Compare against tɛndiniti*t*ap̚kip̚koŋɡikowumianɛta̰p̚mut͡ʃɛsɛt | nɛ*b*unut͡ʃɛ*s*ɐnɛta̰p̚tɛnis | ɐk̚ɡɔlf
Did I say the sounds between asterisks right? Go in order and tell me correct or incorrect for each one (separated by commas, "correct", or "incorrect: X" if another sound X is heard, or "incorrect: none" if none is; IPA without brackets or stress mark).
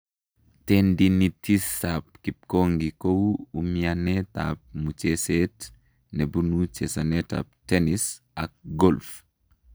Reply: incorrect: s, correct, correct